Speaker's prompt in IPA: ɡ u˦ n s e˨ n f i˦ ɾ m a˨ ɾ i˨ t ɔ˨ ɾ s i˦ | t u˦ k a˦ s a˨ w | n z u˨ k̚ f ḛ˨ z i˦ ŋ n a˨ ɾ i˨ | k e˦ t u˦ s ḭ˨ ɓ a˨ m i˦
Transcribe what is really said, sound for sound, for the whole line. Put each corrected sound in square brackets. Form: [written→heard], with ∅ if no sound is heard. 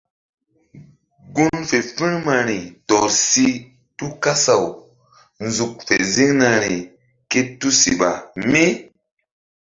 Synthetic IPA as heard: ɡ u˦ n [s→f] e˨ [n→∅] f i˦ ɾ m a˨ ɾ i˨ t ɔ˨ ɾ s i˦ | t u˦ k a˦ s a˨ w | n z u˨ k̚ f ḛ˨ z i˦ ŋ n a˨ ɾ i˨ | k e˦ t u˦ s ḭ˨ ɓ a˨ m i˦